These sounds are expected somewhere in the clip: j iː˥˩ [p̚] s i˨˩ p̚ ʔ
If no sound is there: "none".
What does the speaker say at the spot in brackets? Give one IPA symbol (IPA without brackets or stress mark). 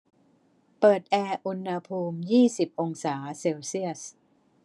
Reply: none